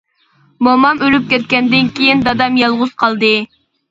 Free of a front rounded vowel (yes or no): no